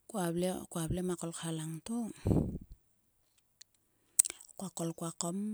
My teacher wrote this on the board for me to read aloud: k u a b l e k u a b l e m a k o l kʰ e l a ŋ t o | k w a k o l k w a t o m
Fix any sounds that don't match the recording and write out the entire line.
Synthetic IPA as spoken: k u a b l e k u a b l e m a k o l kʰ a l a ŋ t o | k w a k o l k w a k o m